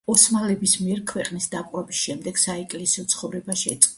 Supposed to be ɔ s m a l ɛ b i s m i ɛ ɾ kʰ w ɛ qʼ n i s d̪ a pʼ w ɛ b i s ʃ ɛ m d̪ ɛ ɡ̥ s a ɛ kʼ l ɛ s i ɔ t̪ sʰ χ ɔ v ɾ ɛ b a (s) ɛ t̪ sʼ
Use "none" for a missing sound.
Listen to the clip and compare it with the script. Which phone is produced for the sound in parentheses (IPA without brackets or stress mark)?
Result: ʃ